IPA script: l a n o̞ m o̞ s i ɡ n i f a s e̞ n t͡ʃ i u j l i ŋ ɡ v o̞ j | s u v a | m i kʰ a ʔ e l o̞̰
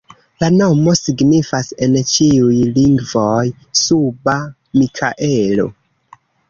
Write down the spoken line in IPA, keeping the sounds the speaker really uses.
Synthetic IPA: l a n o̞ m o̞ s i ɡ n i f a s e̞ n t͡ʃ i u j l i ŋ ɡ v o̞ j | s u b a | m i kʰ a ʔ e l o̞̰